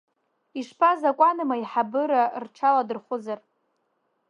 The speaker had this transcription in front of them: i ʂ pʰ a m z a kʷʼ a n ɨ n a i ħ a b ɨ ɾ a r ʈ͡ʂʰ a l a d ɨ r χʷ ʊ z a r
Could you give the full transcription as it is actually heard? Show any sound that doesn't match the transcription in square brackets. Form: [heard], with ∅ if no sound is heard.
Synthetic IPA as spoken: i ʂ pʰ a [∅] z a kʷʼ a n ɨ [m] a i ħ a b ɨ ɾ a r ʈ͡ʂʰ a l a d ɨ r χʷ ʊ z a r